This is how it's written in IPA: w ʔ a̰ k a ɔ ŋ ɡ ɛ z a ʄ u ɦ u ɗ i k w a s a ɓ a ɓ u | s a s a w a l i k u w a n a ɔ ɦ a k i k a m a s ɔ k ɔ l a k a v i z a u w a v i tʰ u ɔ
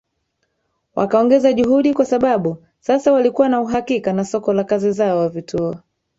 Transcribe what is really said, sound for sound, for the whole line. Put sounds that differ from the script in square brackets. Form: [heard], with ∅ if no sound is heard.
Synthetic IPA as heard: w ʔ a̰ k a ɔ ŋ ɡ ɛ z a ʄ u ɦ u ɗ i k w a s a ɓ a ɓ u | s a s a w a l i k u w a n a [u] ɦ a k i k a [n] a s ɔ k ɔ l a k a [z] i z a [ɔ] w a v i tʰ u ɔ